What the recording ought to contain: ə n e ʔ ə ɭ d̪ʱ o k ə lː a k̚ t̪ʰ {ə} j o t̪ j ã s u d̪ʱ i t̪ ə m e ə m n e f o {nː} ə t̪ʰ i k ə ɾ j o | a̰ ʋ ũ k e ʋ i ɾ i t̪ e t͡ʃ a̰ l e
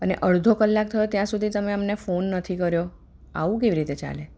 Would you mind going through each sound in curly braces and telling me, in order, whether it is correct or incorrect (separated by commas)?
correct, correct